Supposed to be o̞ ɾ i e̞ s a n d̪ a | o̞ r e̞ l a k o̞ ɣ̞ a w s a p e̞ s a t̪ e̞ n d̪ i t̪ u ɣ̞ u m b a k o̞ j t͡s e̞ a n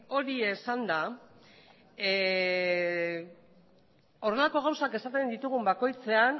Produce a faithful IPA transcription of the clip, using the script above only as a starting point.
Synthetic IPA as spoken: o̞ ɾ i e̞ s a n d̪ a | o̞ r e̞ l a k o̞ ɣ̞ a w s a k e̞ s a t̪ e̞ n d̪ i t̪ u ɣ̞ u m b a k o̞ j t͡s e̞ a n